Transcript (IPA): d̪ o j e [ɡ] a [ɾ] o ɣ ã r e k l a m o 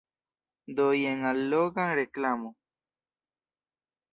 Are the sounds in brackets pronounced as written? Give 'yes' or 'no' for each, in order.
no, no

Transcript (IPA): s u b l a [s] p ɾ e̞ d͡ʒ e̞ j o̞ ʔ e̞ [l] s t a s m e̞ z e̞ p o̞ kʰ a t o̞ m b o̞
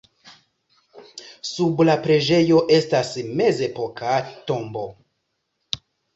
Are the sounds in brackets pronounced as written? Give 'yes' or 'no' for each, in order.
no, no

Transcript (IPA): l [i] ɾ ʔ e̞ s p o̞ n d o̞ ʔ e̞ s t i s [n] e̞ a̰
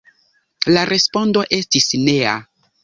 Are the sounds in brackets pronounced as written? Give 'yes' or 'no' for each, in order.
no, yes

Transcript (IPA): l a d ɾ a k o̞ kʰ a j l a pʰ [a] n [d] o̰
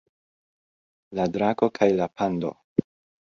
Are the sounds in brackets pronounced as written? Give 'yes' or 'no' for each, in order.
yes, yes

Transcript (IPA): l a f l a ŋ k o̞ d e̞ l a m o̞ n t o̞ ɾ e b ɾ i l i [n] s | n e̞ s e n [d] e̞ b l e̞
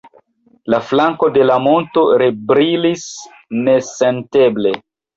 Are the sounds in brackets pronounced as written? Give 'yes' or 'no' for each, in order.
no, no

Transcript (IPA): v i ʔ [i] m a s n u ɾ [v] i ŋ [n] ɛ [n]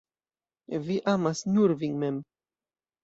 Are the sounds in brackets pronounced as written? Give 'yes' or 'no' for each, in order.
no, yes, no, no

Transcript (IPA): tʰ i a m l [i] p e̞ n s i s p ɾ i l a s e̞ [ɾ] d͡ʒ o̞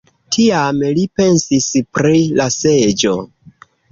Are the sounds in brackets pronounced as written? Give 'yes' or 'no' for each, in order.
yes, no

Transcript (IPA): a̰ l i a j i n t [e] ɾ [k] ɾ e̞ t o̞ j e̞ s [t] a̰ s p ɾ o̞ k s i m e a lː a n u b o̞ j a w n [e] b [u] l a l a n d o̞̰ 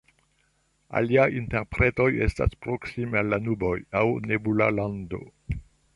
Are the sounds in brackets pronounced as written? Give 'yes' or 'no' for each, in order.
yes, no, yes, yes, yes

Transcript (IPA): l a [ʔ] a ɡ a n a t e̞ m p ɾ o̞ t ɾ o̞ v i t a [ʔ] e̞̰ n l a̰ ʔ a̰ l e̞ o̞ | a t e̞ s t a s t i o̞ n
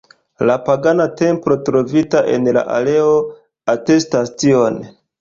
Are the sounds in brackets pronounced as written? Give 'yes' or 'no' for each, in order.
no, yes

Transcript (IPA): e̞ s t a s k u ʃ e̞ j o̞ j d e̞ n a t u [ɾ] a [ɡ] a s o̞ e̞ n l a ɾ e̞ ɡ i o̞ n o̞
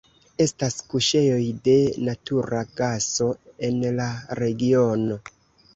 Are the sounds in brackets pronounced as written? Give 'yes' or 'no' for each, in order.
yes, yes

